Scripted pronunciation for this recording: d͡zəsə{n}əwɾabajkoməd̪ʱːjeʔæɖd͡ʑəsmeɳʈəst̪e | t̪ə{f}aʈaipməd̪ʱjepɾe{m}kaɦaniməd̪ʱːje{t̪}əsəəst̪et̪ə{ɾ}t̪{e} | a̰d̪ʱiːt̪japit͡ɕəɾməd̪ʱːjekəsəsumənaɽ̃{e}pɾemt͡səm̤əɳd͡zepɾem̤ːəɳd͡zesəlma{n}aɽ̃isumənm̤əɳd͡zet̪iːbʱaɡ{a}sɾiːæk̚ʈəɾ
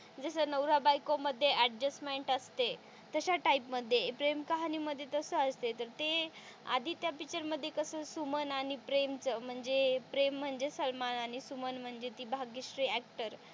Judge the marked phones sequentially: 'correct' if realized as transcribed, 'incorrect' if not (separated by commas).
correct, incorrect, correct, correct, correct, correct, incorrect, correct, incorrect